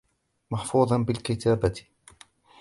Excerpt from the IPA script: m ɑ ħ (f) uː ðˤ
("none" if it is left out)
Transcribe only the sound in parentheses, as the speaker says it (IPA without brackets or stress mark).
f